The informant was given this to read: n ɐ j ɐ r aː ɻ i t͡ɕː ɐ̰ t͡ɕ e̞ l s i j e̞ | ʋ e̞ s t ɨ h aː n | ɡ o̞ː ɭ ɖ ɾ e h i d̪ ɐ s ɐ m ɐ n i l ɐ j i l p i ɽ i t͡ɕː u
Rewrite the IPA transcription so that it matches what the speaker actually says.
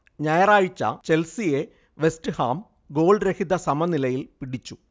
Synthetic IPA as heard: ɲ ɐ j ɐ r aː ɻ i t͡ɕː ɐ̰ t͡ɕ e̞ l s i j e̞ | ʋ e̞ s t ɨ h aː m | ɡ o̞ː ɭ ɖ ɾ e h i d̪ ɐ s ɐ m ɐ n i l ɐ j i l p i ɽ i t͡ɕː u

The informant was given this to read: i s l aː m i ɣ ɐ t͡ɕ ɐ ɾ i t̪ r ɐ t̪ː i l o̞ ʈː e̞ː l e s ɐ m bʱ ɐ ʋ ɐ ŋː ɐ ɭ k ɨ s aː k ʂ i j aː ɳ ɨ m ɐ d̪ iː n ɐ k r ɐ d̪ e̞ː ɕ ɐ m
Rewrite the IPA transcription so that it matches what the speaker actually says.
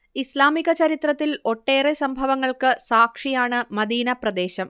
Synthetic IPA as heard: i s l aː m i ɣ ɐ t͡ɕ ɐ ɾ i t̪ r ɐ t̪ː i l o̞ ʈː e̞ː r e s ɐ m bʱ ɐ ʋ ɐ ŋː ɐ ɭ k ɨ s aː k ʂ i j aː ɳ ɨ m ɐ d̪ iː n ɐ p r ɐ d̪ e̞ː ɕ ɐ m

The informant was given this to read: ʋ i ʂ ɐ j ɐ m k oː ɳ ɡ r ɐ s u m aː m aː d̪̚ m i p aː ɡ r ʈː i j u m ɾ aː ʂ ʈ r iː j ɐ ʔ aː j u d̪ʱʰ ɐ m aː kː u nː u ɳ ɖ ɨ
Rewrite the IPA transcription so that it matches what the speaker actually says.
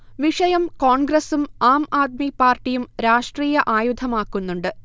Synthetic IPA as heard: ʋ i ʂ ɐ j ɐ m k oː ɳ ɡ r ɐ s u m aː m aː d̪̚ m i p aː r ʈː i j u m ɾ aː ʂ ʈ r iː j ɐ ʔ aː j u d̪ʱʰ ɐ m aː kː u nː u ɳ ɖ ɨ

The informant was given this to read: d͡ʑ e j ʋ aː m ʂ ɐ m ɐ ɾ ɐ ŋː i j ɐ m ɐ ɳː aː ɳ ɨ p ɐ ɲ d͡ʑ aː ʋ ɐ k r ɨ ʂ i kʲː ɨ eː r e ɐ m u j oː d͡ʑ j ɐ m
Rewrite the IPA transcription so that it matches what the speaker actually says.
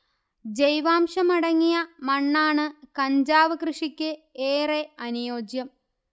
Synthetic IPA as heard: d͡ʑ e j ʋ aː m ʂ ɐ m ɐ ɽ ɐ ŋː i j ɐ m ɐ ɳː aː ɳ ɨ k ɐ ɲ d͡ʑ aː ʋ ɐ k r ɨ ʂ i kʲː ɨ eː r e ɐ n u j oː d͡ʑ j ɐ m

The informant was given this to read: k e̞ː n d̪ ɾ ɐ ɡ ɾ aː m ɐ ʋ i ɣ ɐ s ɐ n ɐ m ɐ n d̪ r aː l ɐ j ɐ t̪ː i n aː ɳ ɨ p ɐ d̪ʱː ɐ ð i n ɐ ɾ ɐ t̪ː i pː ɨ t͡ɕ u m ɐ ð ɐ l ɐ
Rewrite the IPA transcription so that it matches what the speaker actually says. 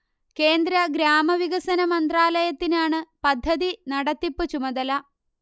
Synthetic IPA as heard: k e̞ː n d̪ ɾ ɐ ɡ ɾ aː m ɐ ʋ i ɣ ɐ s ɐ n ɐ m ɐ n d̪ r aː l ɐ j ɐ t̪ː i n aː ɳ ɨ p ɐ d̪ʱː ɐ ð i n ɐ ɽ ɐ t̪ː i pː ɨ t͡ɕ u m ɐ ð ɐ l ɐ

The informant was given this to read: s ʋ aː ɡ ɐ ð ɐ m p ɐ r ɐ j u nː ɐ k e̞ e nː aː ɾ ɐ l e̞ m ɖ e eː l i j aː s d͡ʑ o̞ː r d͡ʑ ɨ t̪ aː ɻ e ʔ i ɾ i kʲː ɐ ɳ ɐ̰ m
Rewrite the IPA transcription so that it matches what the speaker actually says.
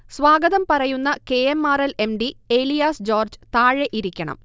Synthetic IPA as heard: s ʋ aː ɡ ɐ ð ɐ m p ɐ r ɐ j u nː ɐ k e̞ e mː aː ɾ ɐ l e̞ m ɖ i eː l i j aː s d͡ʑ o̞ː r d͡ʑ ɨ t̪ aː ɻ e ʔ i ɾ i kʲː ɐ ɳ ɐ̰ m

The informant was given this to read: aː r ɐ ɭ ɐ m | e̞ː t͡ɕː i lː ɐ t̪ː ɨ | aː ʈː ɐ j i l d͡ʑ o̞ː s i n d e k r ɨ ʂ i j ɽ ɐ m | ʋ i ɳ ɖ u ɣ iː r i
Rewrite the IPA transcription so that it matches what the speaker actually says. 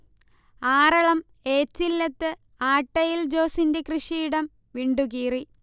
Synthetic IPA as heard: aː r ɐ ɭ ɐ m | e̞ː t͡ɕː i lː ɐ t̪ː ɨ | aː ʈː ɐ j i l d͡ʑ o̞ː s i n d e k r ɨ ʂ i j ɽ ɐ m | ʋ i ɳ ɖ u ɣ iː r i

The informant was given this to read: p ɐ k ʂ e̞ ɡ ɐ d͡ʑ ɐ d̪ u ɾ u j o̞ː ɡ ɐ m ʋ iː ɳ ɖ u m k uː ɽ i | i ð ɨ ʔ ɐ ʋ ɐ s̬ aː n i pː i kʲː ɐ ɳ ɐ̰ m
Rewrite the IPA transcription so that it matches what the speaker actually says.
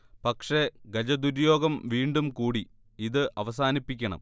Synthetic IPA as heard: p ɐ k ʂ e̞ ɡ ɐ d͡ʑ ɐ d̪ u ɾ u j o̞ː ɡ ɐ m ʋ iː ɳ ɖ u m k uː ɽ i | i ð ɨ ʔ ɐ ʋ ɐ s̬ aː n i pː i kʲː ɐ ɳ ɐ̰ m

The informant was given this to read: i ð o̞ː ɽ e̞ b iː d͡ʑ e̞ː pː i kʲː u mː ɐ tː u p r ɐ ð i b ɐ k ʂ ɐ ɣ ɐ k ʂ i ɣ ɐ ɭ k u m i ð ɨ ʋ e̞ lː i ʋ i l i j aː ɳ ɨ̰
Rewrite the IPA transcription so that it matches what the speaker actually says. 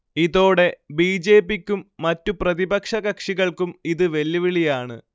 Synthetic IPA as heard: i ð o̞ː ɽ e̞ b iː d͡ʑ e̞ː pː i kʲː u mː ɐ tː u p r ɐ ð i b ɐ k ʂ ɐ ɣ ɐ k ʂ i ɣ ɐ ɭ k u m i ð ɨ ʋ e̞ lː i ʋ i ɭ i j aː ɳ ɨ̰

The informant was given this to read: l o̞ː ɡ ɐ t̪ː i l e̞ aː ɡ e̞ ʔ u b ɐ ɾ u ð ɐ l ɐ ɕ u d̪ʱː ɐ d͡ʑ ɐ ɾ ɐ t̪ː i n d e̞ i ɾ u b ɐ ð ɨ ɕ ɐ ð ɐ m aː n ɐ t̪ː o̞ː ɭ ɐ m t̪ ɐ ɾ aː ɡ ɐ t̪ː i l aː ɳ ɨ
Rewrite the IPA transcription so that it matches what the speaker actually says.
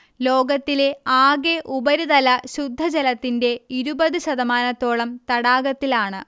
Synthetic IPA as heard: l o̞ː ɡ ɐ t̪ː i l e̞ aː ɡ e̞ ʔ u b ɐ ɾ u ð ɐ l ɐ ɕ u d̪ʱː ɐ d͡ʑ ɐ l ɐ t̪ː i n d e̞ i ɾ u b ɐ ð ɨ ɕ ɐ ð ɐ m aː n ɐ t̪ː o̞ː ɭ ɐ m t̪ ɐ ɽ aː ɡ ɐ t̪ː i l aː ɳ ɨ

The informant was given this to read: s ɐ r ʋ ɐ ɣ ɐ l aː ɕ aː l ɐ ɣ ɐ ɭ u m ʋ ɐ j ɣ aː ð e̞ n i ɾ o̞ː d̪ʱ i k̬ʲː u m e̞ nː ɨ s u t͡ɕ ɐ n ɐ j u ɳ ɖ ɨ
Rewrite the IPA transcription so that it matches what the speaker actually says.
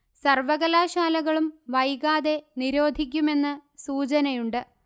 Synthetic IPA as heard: s ɐ r ʋ ɐ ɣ ɐ l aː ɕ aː l ɐ ɣ ɐ ɭ u m ʋ ɐ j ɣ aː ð e̞ n i ɾ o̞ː d̪ʱ i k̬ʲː u m e̞ nː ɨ s uː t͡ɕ ɐ n ɐ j u ɳ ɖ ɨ

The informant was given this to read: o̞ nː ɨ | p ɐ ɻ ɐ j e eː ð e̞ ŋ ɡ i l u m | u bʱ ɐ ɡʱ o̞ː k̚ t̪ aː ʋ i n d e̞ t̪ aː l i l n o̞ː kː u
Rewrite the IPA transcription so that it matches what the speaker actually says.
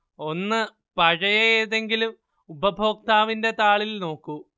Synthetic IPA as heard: o̞ nː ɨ | p ɐ ɻ ɐ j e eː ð e̞ ŋ ɡ i l u m | u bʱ ɐ bʱ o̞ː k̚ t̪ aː ʋ i n d e̞ t̪ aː ɭ i l n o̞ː kː u

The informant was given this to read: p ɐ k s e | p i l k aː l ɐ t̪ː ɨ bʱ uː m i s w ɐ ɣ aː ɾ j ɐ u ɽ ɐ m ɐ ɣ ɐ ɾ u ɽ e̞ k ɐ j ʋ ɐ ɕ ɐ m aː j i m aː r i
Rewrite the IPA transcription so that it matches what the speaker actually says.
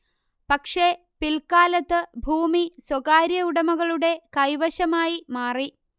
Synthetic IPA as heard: p ɐ k ʂ e | p i l k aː l ɐ t̪ː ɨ bʱ uː m i s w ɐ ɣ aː ɾ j ɐ u ɽ ɐ m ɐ ɣ ɐ ɭ u ɽ e̞ k ɐ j ʋ ɐ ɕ ɐ m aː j i m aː r i

